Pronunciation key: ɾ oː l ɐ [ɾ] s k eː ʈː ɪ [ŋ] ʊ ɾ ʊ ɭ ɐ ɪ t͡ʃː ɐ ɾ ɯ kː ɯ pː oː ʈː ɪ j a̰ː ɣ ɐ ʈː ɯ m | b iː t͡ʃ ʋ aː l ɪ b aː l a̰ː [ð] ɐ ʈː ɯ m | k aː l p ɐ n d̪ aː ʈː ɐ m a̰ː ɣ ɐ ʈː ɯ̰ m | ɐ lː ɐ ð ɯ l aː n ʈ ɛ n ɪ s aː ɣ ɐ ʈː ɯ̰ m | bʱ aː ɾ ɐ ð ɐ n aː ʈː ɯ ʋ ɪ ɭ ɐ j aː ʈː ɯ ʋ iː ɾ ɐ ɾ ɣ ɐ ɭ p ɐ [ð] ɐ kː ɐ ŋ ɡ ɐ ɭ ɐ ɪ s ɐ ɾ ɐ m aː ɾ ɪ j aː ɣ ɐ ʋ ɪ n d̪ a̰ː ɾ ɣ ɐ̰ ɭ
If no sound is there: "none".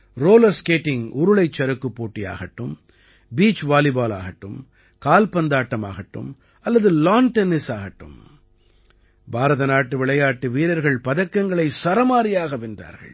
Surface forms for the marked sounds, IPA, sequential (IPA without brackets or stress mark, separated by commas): ɾ, ŋ, ɣ, ð